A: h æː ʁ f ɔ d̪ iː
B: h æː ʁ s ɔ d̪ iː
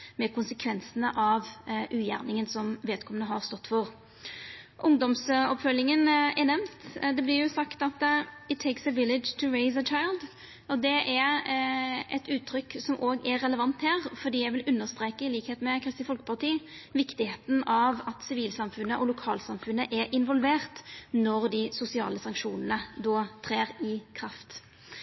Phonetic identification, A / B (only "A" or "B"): A